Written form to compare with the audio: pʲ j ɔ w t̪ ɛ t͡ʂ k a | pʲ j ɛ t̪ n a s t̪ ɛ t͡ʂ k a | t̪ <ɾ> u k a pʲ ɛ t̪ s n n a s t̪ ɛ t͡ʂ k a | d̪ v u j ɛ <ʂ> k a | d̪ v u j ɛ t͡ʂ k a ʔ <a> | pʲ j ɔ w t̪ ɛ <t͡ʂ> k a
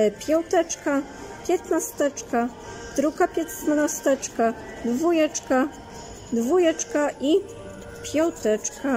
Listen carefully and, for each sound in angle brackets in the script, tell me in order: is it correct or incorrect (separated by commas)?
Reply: correct, incorrect, incorrect, correct